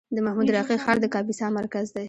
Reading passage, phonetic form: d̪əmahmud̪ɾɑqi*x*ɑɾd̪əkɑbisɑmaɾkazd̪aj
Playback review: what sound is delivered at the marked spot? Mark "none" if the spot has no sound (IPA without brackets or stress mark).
x